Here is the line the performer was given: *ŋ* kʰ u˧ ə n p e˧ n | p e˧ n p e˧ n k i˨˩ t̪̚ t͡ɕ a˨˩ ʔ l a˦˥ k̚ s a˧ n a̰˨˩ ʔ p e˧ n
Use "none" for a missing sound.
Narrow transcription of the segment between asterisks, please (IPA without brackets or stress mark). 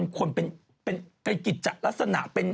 n